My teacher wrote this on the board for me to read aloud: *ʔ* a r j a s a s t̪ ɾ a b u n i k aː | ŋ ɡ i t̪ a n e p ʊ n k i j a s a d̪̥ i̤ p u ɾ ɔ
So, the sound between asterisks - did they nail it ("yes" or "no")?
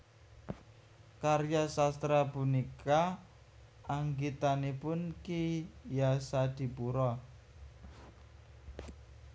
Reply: no